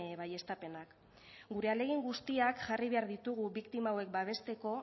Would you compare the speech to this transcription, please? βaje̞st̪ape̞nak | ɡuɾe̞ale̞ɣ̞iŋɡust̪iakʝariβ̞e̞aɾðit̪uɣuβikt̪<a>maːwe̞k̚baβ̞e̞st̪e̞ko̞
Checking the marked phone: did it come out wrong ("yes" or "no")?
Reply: yes